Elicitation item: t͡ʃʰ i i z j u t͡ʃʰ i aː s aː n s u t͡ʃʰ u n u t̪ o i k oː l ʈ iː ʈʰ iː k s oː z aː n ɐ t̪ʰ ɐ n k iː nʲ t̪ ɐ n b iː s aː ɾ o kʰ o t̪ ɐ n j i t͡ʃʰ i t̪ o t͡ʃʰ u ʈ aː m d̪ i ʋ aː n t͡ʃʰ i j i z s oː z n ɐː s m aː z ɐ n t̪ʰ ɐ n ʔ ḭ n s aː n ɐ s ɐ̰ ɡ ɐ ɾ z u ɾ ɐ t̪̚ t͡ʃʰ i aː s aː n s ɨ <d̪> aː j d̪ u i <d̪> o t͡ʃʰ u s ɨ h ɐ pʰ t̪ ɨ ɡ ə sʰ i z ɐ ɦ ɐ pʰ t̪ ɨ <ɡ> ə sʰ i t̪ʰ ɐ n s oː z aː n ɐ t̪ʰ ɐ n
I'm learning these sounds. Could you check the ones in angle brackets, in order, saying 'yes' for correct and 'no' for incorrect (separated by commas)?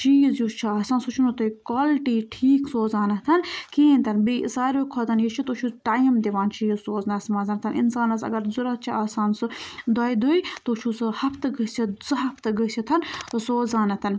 yes, no, yes